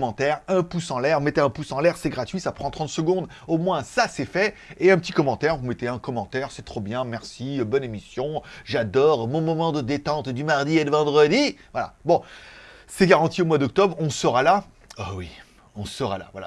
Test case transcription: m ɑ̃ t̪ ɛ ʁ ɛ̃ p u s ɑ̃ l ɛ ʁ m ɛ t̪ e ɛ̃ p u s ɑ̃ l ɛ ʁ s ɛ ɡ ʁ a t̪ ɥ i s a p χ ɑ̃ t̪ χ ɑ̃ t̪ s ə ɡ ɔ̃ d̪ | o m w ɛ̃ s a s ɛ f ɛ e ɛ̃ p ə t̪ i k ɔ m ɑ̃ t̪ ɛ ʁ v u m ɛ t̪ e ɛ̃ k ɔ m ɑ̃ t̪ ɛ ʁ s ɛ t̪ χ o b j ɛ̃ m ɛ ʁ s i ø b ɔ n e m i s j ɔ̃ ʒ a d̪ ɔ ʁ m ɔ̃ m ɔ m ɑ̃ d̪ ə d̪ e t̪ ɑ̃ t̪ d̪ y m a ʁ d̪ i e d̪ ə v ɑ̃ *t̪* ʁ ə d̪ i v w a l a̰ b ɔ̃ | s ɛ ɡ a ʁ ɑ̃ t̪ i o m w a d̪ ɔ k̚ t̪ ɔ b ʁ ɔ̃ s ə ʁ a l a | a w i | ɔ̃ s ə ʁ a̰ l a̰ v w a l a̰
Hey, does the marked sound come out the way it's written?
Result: no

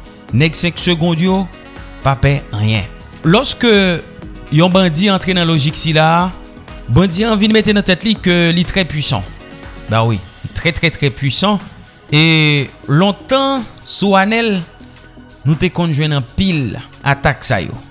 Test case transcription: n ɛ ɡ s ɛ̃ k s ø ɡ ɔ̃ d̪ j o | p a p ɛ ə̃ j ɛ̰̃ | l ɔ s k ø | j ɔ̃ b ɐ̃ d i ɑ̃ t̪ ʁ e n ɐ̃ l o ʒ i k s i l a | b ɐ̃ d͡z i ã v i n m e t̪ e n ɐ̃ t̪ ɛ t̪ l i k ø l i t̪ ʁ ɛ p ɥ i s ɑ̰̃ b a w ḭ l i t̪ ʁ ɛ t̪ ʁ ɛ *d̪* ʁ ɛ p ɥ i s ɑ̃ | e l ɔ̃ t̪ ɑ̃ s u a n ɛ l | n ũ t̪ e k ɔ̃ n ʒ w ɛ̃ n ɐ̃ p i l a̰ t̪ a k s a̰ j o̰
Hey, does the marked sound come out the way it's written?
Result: no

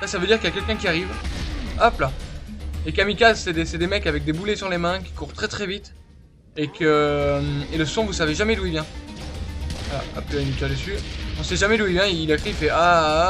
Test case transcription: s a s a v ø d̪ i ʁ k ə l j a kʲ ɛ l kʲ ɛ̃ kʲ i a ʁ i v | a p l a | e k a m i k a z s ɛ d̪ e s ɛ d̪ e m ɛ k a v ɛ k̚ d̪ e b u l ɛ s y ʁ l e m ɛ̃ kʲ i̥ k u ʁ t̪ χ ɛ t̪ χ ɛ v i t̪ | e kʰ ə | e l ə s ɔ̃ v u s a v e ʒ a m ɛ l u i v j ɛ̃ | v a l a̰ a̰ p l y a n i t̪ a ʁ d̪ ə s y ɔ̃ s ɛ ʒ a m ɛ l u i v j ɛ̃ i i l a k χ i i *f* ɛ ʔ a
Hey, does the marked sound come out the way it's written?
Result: yes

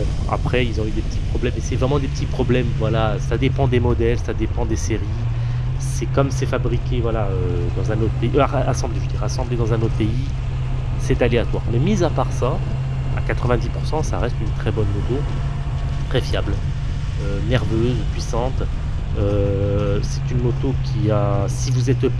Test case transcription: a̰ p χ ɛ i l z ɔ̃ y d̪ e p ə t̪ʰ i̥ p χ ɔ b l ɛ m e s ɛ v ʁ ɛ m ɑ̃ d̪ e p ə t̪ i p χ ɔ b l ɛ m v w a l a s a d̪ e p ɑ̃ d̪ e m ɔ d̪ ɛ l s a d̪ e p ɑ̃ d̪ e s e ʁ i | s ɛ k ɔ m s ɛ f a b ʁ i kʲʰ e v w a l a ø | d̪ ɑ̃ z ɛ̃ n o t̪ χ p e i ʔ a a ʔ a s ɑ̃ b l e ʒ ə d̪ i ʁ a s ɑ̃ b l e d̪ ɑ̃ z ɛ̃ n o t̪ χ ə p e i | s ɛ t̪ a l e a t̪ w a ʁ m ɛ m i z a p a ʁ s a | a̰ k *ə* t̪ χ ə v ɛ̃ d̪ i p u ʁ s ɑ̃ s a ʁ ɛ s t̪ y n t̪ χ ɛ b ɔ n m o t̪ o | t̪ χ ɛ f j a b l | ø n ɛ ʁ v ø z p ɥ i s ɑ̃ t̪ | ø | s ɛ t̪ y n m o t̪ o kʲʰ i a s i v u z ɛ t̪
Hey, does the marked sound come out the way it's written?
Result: no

